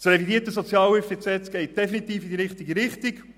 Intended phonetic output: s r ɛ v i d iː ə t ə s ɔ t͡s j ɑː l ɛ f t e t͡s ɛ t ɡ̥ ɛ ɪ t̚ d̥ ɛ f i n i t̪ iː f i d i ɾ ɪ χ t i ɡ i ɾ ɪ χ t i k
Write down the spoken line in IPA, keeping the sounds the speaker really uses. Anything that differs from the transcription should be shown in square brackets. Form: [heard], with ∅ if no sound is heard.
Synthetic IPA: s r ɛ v i d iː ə t ə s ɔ t͡s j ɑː l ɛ f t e t͡s ɛ t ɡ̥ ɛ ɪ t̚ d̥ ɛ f i n i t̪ iː f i d i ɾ ɪ χ t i ɡ i ɾ ɪ χ t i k